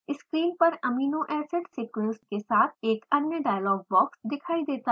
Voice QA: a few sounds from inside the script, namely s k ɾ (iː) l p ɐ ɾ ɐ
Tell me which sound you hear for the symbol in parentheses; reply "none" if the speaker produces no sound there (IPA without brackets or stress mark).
iː